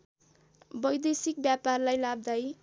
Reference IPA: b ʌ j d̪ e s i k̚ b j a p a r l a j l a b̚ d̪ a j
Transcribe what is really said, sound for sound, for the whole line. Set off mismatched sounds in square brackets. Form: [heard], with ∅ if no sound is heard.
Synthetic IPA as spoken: b ʌ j d̪ e s i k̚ b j a p a r l a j l a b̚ d̪ a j